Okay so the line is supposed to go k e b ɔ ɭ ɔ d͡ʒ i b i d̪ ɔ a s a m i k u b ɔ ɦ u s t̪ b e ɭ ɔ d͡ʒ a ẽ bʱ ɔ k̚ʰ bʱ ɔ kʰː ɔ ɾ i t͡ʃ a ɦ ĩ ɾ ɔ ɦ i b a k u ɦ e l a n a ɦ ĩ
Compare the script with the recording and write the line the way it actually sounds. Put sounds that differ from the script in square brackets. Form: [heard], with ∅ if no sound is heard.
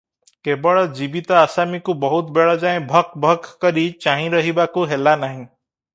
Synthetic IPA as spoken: k e b ɔ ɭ ɔ d͡ʒ i b i [t̪] ɔ a s a m i k u b ɔ ɦ u [∅] t̪ b e ɭ ɔ d͡ʒ a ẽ bʱ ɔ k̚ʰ bʱ ɔ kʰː ɔ ɾ i t͡ʃ a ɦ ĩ ɾ ɔ ɦ i b a k u ɦ e l a n a ɦ ĩ